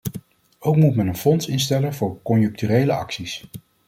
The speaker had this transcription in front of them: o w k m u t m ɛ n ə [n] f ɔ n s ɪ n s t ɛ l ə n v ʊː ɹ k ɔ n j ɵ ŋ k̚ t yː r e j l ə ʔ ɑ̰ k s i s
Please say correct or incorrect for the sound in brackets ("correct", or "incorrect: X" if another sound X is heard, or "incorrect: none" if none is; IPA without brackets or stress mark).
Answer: correct